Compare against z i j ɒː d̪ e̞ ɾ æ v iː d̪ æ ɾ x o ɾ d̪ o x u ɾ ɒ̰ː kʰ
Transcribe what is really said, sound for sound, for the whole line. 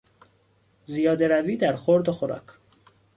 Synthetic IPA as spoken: z i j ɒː d̪ e̞ ɾ æ v iː d̪ æ ɾ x o ɾ d̪ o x o ɾ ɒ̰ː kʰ